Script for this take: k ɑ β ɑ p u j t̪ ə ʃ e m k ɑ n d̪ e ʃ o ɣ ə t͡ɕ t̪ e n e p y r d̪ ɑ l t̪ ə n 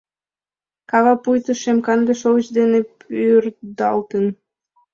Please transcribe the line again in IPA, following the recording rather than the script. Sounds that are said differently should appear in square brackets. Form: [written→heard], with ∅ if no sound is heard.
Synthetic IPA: k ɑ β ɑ p u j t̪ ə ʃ e m k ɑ n d̪ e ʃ o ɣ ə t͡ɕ [t̪→d̪] e n e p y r d̪ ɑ l t̪ ə n